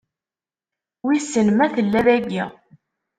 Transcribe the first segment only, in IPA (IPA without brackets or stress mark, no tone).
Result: w